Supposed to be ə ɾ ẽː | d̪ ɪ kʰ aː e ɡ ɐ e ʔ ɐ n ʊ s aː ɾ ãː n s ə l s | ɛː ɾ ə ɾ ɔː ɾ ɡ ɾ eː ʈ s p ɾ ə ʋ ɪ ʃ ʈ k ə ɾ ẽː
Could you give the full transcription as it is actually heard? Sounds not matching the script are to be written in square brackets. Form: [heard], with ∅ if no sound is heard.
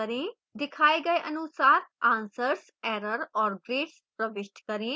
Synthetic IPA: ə ɾ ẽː | d̪ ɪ kʰ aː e ɡ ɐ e ʔ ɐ n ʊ s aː ɾ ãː n s ə [ɾ] s | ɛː ɾ ə ɾ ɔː ɾ ɡ ɾ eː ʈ s p ɾ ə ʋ ɪ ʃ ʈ k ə ɾ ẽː